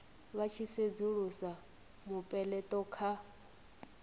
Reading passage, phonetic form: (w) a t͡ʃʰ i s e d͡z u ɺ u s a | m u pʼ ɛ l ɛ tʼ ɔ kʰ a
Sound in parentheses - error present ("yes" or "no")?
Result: yes